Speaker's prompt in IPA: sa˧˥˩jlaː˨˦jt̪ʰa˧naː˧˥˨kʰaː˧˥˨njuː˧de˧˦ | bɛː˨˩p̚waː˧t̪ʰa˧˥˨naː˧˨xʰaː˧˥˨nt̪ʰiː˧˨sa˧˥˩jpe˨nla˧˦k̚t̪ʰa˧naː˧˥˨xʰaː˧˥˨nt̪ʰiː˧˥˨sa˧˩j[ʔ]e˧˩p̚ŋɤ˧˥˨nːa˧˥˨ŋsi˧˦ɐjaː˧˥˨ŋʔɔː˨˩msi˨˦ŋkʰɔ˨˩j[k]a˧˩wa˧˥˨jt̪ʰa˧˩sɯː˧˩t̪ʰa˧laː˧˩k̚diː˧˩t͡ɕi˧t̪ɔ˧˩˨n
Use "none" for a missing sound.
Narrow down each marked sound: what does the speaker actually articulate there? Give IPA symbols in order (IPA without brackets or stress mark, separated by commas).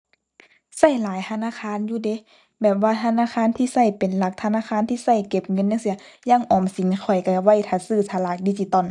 k, k